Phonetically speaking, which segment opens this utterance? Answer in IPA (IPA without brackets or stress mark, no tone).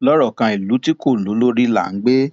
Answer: l